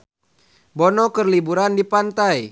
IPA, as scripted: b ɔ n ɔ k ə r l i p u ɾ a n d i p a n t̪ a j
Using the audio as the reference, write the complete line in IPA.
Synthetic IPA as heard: b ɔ n ɔ k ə r l i b u ɾ a n d i p a n t̪ a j